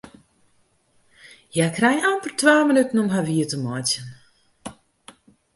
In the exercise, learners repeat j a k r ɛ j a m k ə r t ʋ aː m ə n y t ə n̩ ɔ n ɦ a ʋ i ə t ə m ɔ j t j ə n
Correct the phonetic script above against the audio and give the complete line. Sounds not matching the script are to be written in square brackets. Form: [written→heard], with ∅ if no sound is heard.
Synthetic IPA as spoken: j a k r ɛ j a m [k→p] ə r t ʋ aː m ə n y t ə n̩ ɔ [n→m] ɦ a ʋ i ə t ə m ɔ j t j ə n